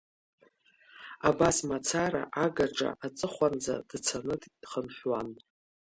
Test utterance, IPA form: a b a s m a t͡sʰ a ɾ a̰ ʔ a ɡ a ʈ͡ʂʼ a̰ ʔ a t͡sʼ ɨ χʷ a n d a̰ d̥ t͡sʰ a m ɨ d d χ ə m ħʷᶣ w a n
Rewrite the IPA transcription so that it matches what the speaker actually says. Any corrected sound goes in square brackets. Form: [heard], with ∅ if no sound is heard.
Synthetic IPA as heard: a b a s m a t͡sʰ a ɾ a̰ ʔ a ɡ a ʈ͡ʂʼ a̰ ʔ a t͡sʼ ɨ χʷ a n [d͡z] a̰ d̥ t͡sʰ a [n] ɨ d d χ ə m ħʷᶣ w a n

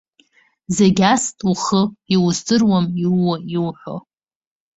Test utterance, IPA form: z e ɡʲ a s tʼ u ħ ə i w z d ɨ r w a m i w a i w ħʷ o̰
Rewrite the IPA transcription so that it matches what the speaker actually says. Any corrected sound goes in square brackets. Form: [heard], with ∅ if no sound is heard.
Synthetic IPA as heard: z e ɡʲ a s tʼ u [χ] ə i w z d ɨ r w a m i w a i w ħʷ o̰

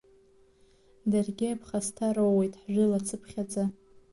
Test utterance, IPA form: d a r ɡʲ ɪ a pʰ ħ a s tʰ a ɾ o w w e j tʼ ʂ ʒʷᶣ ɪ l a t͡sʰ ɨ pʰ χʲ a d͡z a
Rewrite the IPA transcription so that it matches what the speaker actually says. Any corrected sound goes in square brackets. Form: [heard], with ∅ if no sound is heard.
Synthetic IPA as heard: d a r ɡʲ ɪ a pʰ [χ] a s tʰ a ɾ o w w e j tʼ [ħ] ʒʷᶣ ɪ l a t͡sʰ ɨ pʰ χʲ a d͡z a

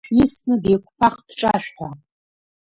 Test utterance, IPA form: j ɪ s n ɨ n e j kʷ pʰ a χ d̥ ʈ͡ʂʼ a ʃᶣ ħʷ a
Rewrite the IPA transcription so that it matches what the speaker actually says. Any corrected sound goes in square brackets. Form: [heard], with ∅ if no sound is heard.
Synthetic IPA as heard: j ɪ s n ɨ [d] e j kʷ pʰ a χ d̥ ʈ͡ʂʼ a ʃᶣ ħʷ a

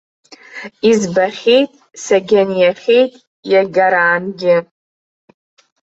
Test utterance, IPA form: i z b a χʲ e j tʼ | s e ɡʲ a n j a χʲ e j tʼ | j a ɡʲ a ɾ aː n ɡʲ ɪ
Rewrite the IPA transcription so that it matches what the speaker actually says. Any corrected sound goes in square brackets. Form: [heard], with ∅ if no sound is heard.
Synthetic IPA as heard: i z b a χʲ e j tʼ | s [a] ɡʲ a n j a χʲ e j tʼ | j a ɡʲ a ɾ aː n ɡʲ ɪ

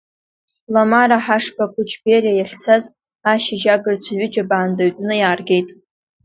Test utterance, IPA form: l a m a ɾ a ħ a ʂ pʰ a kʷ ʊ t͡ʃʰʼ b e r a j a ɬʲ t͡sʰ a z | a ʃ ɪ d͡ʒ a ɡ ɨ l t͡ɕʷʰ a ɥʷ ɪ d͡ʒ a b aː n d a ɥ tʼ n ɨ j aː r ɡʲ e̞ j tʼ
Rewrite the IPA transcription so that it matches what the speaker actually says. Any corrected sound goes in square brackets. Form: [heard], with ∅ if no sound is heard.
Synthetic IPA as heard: l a m a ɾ a ħ a ʂ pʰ a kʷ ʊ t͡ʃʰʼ b e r a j a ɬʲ t͡sʰ a z | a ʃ ɪ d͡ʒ a ɡ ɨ [r] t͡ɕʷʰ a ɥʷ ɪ d͡ʒ a b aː n d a ɥ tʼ n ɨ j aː r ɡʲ e̞ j tʼ

